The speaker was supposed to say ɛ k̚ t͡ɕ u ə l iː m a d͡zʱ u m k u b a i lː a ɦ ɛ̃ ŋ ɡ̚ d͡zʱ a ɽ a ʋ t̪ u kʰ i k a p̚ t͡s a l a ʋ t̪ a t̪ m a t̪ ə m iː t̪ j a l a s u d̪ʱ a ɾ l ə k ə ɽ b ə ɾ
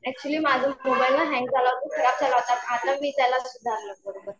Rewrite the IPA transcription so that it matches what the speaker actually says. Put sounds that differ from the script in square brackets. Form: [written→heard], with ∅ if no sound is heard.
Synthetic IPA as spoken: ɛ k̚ t͡ɕ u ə l iː m a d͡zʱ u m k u b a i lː a ɦ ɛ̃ ŋ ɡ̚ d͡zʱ a [ɽ→l] a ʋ t̪ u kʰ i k a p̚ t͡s a l a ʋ t̪ a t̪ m a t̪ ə m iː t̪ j a l a s u d̪ʱ a ɾ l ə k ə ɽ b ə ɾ